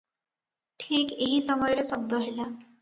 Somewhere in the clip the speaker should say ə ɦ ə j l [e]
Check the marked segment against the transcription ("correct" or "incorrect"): incorrect